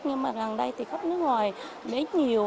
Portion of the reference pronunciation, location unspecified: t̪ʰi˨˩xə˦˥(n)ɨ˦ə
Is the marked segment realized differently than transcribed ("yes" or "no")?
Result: no